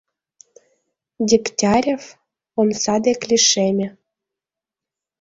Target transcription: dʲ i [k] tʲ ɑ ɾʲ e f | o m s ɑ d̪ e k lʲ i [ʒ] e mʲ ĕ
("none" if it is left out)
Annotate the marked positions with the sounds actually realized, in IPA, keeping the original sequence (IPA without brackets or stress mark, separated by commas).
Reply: k, ʃ